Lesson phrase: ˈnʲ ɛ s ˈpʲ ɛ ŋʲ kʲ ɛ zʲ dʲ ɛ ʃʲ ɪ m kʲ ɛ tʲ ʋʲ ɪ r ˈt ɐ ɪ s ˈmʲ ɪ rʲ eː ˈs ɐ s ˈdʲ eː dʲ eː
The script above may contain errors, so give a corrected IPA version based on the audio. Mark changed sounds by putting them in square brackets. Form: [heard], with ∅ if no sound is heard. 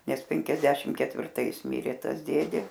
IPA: ˈnʲ ɛ s ˈpʲ ɛ ŋʲ kʲ ɛ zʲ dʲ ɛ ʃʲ ɪ m kʲ ɛ tʲ ʋʲ ɪ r ˈt ɐ ɪ s ˈmʲ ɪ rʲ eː [ˈt] ɐ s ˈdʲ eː dʲ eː